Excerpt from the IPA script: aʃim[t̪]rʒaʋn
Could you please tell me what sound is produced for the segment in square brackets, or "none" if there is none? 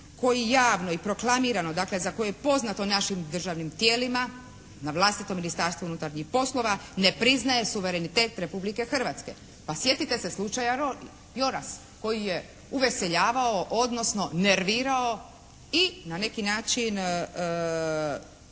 d̪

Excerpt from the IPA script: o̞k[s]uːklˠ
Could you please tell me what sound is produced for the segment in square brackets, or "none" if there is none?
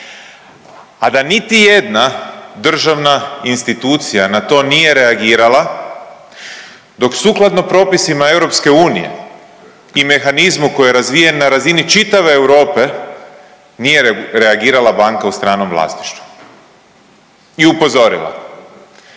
s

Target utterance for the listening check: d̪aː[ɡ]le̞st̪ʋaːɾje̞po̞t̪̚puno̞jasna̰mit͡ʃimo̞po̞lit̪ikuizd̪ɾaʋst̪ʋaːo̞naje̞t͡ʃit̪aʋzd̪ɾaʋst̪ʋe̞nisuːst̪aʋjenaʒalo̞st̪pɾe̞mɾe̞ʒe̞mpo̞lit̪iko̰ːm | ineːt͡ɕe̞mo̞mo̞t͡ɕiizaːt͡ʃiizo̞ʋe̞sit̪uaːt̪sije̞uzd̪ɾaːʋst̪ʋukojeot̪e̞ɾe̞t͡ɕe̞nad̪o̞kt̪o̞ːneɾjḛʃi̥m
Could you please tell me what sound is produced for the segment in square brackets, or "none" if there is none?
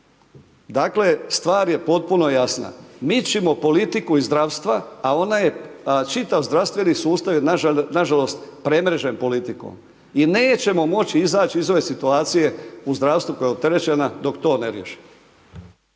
k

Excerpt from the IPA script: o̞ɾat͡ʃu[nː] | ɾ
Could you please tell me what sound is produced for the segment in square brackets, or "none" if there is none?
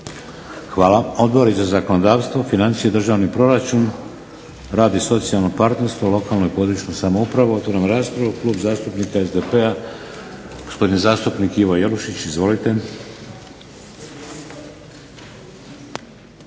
n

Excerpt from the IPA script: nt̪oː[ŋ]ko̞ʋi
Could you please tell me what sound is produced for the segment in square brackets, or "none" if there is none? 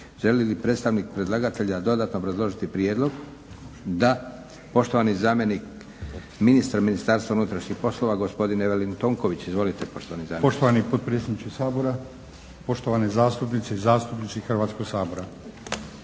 ŋ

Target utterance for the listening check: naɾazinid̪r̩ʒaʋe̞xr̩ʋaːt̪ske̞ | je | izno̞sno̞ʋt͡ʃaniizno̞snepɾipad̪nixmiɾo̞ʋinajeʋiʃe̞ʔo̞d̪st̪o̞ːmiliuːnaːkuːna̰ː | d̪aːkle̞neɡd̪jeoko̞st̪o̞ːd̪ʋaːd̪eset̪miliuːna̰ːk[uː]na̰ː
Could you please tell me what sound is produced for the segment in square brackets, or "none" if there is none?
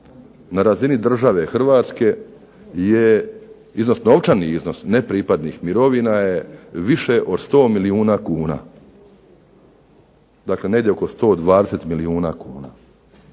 uː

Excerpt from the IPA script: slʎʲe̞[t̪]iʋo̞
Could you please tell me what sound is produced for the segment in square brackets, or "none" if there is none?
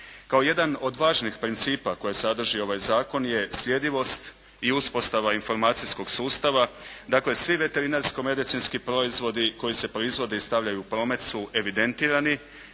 d̪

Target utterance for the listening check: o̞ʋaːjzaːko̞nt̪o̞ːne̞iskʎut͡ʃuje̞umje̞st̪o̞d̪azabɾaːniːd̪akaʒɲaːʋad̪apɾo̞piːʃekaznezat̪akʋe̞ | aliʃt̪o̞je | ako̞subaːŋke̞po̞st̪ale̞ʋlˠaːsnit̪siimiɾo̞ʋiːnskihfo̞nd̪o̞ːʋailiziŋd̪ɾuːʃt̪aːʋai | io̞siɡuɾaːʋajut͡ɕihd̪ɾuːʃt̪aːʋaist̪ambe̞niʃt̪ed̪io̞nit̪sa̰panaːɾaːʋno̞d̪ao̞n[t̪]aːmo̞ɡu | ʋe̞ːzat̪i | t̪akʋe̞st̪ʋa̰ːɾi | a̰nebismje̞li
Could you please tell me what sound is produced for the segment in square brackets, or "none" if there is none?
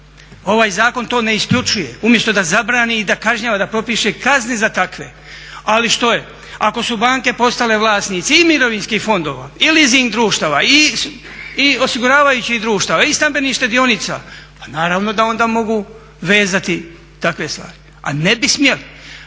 d̪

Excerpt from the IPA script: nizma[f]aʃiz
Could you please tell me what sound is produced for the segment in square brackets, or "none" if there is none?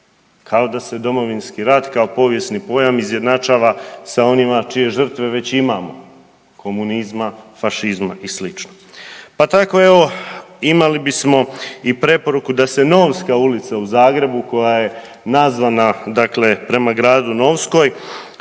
f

